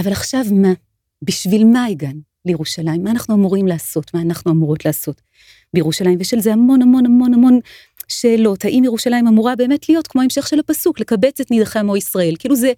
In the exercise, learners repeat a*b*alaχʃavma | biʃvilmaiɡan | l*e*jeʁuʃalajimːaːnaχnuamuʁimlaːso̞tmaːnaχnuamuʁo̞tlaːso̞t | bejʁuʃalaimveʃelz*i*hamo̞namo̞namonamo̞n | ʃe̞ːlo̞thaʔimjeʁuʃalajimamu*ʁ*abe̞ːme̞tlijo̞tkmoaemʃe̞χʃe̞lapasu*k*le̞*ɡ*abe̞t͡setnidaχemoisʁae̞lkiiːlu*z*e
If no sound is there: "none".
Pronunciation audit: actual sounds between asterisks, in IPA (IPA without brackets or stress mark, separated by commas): v, e, e, ʁ, k, k, z